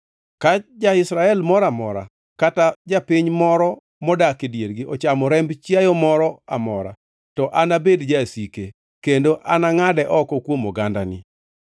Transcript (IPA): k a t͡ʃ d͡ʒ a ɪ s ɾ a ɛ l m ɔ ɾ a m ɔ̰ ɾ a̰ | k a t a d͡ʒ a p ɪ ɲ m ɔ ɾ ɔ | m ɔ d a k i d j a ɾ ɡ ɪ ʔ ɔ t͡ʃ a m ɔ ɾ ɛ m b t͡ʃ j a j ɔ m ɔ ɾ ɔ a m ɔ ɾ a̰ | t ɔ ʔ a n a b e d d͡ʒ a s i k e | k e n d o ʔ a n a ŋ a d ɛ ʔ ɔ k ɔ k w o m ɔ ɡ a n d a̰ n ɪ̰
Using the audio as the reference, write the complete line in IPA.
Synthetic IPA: k a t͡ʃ d͡ʒ a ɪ s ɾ a ɛ l m ɔ ɾ a m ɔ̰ ɾ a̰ | k a t a d͡ʒ a p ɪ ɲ m ɔ ɾ ɔ | m ɔ d a k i d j e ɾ ɡ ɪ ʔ ɔ t͡ʃ a m ɔ ɾ ɛ m b t͡ʃ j a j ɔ m ɔ ɾ ɔ a m ɔ ɾ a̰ | t ɔ ʔ a n a b e d d͡ʒ a s i k e | k e n d o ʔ a n a ŋ a d ɛ ʔ ɔ k ɔ k w o m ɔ ɡ a n d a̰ n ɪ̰

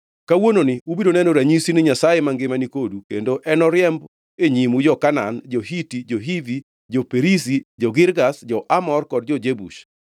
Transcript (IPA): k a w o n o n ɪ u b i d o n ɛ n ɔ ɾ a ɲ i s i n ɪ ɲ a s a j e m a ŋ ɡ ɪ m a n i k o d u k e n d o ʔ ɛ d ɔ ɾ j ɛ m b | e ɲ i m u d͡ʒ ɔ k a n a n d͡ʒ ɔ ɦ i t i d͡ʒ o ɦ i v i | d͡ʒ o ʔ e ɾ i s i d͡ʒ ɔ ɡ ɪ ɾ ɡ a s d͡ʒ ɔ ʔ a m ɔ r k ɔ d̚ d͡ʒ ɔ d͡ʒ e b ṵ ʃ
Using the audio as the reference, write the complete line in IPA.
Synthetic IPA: k a w o n o n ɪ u b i d o n ɛ n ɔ ɾ a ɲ i s i n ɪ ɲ a s a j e m a ŋ ɡ ɪ m a n i k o d u k e n d o ʔ ɛ n ɔ ɾ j ɛ m b | e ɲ i m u d͡ʒ ɔ k a n a n d͡ʒ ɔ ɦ i t i d͡ʒ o ɦ i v i | d͡ʒ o p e ɾ i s i d͡ʒ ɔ ɡ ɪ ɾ ɡ a s d͡ʒ ɔ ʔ a m ɔ r k ɔ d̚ d͡ʒ ɔ d͡ʒ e b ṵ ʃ

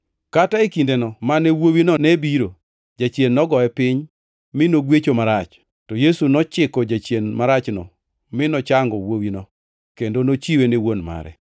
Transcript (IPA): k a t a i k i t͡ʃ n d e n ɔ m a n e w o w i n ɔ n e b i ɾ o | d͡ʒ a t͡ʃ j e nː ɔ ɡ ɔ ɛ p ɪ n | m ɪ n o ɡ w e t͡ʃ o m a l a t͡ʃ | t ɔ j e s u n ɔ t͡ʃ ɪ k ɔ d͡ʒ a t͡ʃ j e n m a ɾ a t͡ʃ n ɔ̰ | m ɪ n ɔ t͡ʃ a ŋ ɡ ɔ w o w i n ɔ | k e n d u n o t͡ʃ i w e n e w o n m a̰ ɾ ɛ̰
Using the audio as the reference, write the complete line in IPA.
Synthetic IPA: k a t a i k i n d e n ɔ m a n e w o w i n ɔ n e b i ɾ o | d͡ʒ a t͡ʃ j e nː ɔ ɡ ɔ ɛ p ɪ ɲ | m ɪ n o ɡ w e t͡ʃ o m a ɾ a t͡ʃ | t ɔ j e s u n ɔ t͡ʃ ɪ k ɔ d͡ʒ a t͡ʃ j e n m a ɾ a t͡ʃ n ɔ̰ | m ɪ n ɔ t͡ʃ a ŋ ɡ ɔ w o w i n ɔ | k e n d o n o t͡ʃ i w e n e w o n m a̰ ɾ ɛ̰

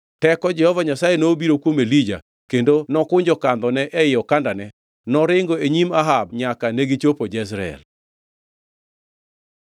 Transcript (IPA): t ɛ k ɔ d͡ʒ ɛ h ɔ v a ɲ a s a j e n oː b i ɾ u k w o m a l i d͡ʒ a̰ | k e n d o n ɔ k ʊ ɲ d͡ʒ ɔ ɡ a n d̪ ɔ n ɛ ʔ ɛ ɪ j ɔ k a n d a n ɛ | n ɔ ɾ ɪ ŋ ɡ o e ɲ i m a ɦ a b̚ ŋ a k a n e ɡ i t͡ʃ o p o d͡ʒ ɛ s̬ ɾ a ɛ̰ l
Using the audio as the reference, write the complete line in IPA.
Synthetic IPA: t ɛ k ɔ d͡ʒ ɛ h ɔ v a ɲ a s a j e n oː b i ɾ o k w o m e l i d͡ʒ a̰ | k e n d o n ɔ k ʊ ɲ d͡ʒ ɔ k a n d̪ ɔ n ɛ ʔ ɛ ɪ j ɔ k a n d a n ɛ | n ɔ ɾ ɪ ŋ ɡ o e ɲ i m a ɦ a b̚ ɲ a k a n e ɡ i t͡ʃ o p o d͡ʒ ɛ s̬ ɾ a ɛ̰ l

